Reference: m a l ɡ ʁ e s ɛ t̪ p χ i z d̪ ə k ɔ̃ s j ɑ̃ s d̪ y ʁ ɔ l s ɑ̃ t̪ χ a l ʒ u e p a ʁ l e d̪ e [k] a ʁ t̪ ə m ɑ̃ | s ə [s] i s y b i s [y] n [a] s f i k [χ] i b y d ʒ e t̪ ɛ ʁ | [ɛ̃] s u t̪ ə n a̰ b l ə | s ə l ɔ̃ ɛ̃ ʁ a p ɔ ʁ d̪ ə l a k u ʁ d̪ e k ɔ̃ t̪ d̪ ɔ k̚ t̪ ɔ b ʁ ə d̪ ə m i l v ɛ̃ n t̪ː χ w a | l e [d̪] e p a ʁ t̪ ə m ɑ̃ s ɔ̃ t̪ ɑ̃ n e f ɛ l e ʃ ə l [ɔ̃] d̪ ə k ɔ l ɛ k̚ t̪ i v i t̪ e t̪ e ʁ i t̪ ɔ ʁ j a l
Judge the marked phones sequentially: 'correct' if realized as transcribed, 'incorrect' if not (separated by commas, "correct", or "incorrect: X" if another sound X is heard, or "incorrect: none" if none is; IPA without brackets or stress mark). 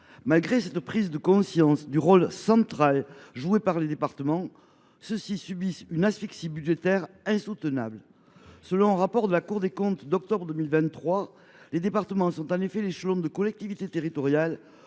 incorrect: p, correct, correct, correct, incorrect: s, correct, correct, correct